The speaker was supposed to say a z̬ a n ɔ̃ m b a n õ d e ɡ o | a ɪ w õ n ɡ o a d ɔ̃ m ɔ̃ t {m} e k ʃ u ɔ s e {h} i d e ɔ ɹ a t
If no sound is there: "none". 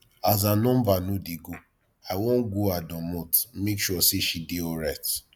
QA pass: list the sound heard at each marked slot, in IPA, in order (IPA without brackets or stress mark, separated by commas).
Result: m, ʃ